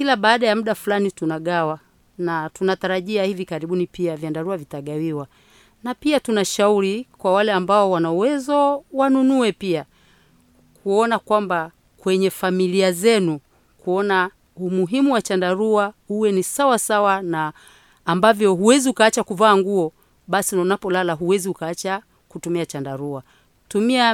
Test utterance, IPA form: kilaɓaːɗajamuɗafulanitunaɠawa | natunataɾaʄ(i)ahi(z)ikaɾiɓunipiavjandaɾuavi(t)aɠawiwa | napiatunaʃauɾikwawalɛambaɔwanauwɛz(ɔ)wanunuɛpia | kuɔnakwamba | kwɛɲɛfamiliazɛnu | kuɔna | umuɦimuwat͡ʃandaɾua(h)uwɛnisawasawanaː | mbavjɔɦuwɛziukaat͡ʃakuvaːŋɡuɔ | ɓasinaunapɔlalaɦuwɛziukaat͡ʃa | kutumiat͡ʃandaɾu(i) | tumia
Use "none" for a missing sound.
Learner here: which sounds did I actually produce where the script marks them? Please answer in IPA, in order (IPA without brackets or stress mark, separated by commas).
i, v, t, ɔ, h, a